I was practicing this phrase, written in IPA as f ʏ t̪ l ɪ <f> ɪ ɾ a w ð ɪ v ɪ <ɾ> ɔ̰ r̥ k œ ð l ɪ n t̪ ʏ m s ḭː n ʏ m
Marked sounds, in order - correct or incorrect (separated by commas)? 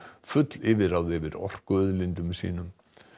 incorrect, correct